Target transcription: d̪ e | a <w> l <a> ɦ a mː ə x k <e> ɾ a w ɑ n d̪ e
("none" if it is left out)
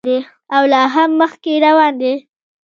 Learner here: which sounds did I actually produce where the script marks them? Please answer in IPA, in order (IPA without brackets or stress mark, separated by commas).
w, ɑ, e